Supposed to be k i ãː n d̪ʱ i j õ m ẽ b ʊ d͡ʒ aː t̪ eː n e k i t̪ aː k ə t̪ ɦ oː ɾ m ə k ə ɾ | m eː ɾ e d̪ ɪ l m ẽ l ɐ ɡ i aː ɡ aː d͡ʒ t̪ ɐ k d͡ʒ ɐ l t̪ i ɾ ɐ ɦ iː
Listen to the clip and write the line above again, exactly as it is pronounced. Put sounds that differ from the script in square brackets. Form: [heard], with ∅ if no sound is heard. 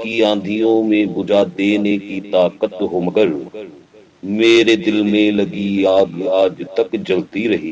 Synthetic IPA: k i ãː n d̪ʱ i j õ m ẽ b ʊ d͡ʒ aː [d̪] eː n e k i t̪ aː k ə t̪ ɦ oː [∅] m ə [ɡ] ə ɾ | m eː ɾ e d̪ ɪ l m ẽ l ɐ ɡ i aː ɡ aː d͡ʒ t̪ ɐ k d͡ʒ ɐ l t̪ i ɾ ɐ ɦ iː